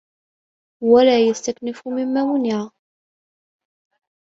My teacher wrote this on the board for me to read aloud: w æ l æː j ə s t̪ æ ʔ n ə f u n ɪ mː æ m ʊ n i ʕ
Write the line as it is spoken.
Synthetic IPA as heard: w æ l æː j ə s t̪ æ k n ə f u m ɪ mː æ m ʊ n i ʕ

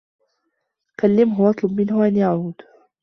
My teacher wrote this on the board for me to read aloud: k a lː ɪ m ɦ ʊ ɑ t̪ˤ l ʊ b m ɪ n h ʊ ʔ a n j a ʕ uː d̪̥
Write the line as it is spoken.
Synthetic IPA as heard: k a lː ɪ m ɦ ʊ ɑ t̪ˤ l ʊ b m ɪ n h ʊ ʔ a n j a ʕ uː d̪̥

